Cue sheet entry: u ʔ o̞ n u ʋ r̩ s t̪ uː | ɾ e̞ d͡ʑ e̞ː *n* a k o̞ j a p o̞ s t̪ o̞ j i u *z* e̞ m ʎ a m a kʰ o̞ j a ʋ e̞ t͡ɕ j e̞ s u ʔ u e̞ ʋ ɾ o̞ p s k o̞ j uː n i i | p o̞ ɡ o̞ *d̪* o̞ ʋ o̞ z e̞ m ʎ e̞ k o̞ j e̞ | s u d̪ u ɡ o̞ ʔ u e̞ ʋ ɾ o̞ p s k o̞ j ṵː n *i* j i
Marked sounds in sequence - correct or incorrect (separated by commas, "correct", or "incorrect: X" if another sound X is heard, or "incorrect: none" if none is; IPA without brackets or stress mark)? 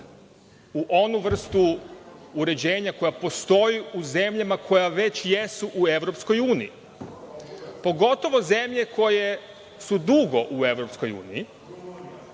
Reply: incorrect: ɲ, correct, incorrect: t̪, correct